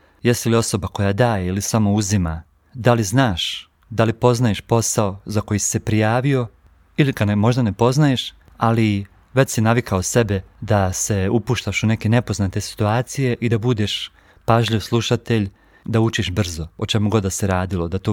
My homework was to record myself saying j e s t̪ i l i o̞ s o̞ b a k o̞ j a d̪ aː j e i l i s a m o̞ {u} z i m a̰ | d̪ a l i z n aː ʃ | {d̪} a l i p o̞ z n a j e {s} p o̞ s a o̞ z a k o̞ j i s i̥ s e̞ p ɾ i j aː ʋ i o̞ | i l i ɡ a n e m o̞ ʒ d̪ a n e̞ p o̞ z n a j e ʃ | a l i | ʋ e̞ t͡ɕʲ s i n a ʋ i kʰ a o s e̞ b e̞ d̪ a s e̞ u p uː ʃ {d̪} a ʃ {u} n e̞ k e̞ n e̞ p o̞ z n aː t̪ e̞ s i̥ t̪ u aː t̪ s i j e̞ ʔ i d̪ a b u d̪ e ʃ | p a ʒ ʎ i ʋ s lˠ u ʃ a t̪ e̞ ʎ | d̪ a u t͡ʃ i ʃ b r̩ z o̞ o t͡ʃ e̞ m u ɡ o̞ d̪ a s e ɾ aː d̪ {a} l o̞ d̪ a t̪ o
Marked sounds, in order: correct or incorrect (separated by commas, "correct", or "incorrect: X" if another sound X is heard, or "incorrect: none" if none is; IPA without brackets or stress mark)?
correct, correct, incorrect: ʃ, incorrect: t̪, correct, incorrect: i